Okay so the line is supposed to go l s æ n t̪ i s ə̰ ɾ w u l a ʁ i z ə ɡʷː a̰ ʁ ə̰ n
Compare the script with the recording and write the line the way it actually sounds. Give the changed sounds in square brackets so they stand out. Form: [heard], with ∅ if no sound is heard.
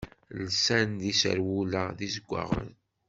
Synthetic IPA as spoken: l s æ n [d̪] i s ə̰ ɾ w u l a [ð] i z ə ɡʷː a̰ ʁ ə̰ n